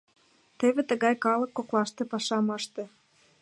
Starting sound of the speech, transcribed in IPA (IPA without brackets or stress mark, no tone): t̪